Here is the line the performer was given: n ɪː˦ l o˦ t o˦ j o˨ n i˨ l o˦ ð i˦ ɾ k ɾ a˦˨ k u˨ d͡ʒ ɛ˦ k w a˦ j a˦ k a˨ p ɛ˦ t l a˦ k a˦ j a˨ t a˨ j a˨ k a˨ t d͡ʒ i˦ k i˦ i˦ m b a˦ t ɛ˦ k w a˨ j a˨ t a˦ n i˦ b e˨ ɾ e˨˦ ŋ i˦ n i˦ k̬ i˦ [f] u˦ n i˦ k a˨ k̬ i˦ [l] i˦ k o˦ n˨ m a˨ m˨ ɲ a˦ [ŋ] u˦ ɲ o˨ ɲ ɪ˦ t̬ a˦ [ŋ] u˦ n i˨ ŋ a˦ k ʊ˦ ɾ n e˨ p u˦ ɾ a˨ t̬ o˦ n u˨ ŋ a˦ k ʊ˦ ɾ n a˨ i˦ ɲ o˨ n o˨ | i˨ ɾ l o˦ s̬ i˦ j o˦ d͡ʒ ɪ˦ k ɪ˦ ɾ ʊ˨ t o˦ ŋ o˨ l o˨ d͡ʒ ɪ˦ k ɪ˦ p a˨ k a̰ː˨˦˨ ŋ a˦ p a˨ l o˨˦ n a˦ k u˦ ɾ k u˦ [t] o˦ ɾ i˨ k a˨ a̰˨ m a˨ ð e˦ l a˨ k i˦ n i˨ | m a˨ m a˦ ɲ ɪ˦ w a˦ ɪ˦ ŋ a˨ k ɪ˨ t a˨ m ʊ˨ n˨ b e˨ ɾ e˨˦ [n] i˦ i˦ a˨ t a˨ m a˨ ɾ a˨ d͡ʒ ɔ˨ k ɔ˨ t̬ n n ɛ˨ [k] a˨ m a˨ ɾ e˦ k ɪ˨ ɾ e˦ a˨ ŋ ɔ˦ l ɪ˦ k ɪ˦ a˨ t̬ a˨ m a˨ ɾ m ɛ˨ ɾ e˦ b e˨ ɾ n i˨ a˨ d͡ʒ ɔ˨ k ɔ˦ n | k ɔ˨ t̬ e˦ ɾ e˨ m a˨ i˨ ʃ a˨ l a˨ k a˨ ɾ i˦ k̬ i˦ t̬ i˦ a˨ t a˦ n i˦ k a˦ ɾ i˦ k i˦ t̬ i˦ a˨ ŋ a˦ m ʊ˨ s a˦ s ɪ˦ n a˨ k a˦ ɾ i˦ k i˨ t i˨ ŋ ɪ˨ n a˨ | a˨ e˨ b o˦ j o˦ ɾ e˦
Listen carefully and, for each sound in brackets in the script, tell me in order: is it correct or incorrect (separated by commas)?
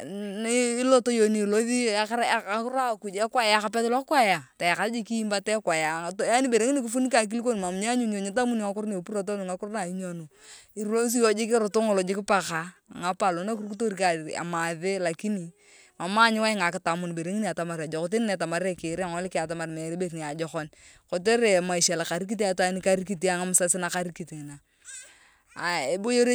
correct, correct, incorrect, incorrect, correct, incorrect, incorrect